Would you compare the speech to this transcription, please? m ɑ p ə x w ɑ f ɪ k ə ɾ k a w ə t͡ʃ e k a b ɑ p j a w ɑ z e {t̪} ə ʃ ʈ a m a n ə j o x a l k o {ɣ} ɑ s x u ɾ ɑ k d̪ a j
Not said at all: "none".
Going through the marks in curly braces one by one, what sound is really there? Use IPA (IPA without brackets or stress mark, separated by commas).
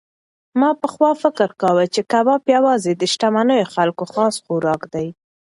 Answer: d̪, x